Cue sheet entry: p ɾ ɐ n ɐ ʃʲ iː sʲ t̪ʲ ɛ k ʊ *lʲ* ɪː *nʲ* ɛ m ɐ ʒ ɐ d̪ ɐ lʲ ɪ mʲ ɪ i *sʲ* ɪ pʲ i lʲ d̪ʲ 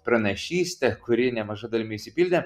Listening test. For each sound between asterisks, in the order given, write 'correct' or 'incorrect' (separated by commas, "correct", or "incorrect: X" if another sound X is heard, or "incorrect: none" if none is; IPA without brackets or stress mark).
incorrect: ɾʲ, correct, correct